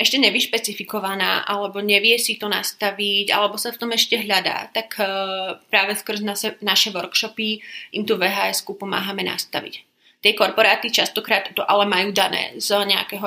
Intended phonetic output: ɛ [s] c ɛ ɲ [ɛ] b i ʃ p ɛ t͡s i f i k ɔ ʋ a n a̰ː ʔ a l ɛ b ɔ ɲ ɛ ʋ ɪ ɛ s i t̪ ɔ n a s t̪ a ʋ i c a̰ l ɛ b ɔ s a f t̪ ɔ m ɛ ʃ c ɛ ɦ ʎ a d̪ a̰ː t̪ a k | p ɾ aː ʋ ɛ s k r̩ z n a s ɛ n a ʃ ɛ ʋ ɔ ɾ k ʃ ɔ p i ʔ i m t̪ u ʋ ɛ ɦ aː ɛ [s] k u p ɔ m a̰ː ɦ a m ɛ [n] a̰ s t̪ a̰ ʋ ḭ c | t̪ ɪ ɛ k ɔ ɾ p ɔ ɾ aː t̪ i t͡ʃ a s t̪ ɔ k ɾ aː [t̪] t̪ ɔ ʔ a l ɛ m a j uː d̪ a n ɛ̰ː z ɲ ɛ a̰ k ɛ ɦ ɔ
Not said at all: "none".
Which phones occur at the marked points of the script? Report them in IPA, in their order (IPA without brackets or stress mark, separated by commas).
ʃ, ɛ, s, n, t̪